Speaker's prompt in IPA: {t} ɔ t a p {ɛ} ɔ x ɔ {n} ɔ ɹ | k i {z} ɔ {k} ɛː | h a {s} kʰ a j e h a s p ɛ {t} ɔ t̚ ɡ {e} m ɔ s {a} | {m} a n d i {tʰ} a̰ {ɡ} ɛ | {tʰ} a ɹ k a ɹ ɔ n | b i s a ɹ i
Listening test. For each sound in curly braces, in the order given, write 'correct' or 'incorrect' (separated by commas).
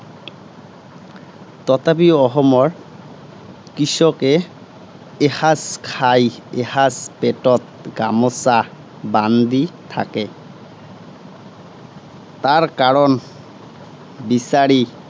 correct, incorrect, incorrect, incorrect, correct, correct, correct, incorrect, correct, incorrect, correct, incorrect, incorrect